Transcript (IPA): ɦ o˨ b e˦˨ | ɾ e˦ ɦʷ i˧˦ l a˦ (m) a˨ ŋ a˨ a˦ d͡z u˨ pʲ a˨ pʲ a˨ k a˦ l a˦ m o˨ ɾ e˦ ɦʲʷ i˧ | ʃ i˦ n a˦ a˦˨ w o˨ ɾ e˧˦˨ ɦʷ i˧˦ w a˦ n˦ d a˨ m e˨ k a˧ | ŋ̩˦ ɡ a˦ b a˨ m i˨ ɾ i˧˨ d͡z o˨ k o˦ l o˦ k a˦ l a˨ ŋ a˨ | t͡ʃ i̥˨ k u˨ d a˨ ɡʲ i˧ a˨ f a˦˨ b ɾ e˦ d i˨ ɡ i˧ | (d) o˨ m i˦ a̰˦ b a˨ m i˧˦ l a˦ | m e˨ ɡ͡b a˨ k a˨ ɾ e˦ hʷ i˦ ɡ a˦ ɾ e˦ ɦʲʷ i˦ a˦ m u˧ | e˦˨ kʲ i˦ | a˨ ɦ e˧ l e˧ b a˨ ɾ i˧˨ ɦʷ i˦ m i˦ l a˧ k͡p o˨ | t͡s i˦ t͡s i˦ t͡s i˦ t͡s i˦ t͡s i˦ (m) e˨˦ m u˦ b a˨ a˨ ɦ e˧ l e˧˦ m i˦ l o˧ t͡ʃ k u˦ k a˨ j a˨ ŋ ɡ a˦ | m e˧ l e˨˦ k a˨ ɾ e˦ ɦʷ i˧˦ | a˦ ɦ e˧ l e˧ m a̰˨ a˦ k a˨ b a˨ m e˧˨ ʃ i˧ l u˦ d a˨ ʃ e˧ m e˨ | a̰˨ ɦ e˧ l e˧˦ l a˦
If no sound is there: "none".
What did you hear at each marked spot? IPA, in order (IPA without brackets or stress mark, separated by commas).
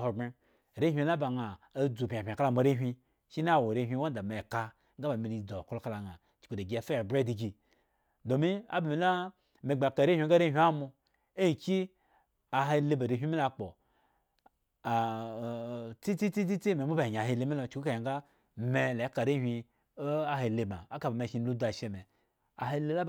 b, d, m